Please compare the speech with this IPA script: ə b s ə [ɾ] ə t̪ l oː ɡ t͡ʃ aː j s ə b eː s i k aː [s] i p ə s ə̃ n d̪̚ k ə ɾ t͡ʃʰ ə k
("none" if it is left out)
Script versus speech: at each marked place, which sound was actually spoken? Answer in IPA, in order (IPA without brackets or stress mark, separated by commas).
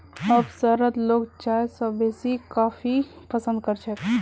ɾ, f